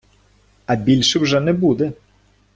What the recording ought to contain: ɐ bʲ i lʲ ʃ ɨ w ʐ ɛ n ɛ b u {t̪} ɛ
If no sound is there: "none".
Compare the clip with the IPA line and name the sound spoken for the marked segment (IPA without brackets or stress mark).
d̪